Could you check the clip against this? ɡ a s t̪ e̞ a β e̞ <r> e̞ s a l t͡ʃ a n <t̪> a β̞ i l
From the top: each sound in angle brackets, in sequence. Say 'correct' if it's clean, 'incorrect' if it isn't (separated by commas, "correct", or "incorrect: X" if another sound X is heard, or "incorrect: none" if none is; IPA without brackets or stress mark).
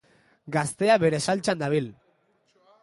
incorrect: ɾ, incorrect: d̪